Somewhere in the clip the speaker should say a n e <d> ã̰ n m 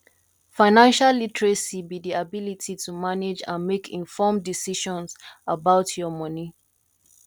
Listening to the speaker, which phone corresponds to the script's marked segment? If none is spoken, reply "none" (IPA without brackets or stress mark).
d͡ʒ